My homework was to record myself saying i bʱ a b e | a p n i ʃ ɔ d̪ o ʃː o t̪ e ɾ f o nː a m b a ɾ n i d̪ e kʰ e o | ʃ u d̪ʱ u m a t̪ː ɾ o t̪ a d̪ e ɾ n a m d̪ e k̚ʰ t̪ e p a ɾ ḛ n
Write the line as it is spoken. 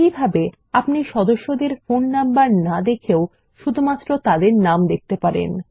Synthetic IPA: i bʱ a b e | a p n i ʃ ɔ d̪ o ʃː o d̪ e ɾ f o nː a m b a ɾ n a d̪ e kʰ e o | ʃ u d̪ʱ u m a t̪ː ɾ o t̪ a d̪ e ɾ n a m d̪ e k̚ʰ t̪ e p a ɾ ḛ n